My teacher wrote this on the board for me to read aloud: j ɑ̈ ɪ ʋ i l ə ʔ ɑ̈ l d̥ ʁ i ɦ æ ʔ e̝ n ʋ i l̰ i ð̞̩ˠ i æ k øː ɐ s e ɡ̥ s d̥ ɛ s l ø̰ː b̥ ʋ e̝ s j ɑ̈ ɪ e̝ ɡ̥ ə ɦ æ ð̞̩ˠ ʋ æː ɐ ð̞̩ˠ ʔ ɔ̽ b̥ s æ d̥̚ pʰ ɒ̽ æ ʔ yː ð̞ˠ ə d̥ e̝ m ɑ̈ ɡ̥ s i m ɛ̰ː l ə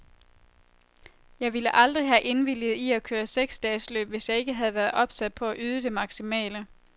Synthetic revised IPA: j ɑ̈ ɪ ʋ i l ə ʔ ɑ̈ l d̥ ʁ i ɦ æ ʔ e̝ n ʋ i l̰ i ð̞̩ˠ i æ kʰ øː ɐ s e ɡ̥ s d̥ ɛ s l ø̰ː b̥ ʋ e̝ s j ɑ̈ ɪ e̝ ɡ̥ ə ɦ æ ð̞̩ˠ ʋ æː ɐ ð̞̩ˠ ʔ ɒ̽ b̥ s æ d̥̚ pʰ ɒ̽ æ ʔ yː ð̞ˠ ə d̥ e̝ m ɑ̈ ɡ̥ s i m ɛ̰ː l ə